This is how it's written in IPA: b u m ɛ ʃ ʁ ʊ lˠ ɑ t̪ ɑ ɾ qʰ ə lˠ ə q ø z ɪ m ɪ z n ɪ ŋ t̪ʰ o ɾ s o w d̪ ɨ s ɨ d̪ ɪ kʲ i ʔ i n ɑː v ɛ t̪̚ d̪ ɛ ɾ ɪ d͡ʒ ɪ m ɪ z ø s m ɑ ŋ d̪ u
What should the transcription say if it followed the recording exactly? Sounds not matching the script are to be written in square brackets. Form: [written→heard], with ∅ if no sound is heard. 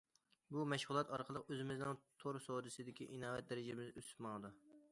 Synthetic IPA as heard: b u m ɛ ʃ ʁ ʊ lˠ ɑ t̪ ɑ ɾ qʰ ə lˠ ə q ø z ɪ m ɪ z n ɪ ŋ t̪ʰ o ɾ s o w d̪ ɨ s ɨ d̪ ɪ kʲ i ʔ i n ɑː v ɛ t̪̚ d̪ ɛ ɾ ɪ d͡ʒ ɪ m ɪ z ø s m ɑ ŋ d̪ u